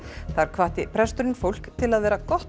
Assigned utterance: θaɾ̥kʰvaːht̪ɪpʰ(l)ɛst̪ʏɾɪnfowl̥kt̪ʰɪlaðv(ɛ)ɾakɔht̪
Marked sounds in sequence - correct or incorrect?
incorrect: ɾ, incorrect: ɛː

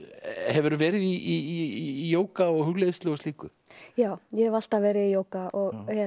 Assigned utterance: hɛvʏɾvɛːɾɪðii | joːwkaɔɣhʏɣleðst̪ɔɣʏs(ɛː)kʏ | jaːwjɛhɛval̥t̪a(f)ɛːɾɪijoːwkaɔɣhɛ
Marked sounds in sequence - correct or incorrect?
incorrect: iː, incorrect: v

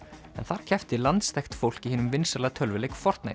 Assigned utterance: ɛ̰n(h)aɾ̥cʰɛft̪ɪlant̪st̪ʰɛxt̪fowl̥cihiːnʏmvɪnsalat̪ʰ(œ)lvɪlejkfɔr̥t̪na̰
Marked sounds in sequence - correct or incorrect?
incorrect: θ, correct

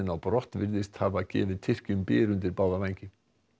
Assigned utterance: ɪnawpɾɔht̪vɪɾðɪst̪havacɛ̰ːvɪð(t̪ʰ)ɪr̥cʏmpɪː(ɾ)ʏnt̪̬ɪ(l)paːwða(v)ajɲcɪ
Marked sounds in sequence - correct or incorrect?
correct, correct, incorrect: ɾ, correct

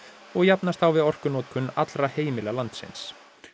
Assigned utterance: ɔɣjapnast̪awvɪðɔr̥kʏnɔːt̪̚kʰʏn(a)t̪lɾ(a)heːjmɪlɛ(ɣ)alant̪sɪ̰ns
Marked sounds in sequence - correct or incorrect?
correct, correct, correct

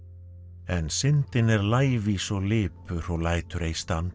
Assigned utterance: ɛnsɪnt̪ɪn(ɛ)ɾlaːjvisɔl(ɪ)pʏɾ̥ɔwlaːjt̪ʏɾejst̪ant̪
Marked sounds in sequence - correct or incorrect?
correct, incorrect: ɪː

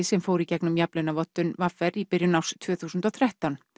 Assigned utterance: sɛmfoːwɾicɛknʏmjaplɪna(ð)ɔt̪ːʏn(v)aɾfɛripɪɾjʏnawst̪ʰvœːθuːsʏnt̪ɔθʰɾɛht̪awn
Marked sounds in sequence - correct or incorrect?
incorrect: v, correct

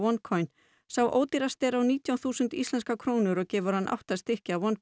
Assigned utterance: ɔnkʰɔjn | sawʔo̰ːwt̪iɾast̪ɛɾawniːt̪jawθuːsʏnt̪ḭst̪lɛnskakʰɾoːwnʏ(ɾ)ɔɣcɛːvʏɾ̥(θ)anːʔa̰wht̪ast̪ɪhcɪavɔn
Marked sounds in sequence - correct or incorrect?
correct, incorrect: h

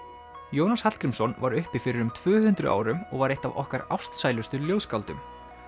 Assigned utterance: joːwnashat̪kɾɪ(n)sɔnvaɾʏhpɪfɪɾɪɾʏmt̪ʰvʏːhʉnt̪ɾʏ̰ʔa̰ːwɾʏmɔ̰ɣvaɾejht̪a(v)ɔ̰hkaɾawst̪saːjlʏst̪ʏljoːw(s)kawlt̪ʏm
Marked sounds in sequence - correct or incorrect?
incorrect: m, correct, correct

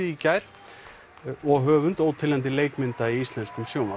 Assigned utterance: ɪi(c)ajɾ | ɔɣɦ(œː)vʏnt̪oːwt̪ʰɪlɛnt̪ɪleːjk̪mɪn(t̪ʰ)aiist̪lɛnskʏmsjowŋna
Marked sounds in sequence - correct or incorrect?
correct, correct, incorrect: t̪

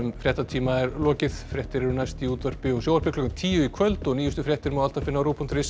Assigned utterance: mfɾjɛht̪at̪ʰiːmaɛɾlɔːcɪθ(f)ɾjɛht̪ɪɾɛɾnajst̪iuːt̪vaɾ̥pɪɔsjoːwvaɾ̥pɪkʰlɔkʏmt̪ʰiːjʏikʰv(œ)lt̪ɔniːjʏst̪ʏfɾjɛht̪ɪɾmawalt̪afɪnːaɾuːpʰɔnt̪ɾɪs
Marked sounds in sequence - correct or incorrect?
correct, correct

